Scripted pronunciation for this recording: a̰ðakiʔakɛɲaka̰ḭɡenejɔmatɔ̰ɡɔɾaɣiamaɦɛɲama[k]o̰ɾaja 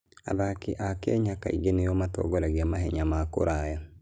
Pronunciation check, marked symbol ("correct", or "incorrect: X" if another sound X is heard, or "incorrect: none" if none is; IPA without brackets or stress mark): correct